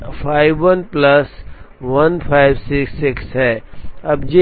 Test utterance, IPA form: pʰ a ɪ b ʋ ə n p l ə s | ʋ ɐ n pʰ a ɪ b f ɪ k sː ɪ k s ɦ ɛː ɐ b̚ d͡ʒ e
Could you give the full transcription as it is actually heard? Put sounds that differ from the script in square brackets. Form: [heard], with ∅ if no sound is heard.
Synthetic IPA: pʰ a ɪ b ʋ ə n p l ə s | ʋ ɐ n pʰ a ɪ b [s] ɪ k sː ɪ k s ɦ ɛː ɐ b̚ d͡ʒ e